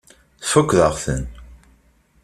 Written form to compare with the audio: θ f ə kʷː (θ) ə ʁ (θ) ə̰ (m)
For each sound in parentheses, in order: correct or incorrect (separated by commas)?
incorrect, correct, incorrect